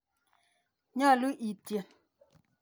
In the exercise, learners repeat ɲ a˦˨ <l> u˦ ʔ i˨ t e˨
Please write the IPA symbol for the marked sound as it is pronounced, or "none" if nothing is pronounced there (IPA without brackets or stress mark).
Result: l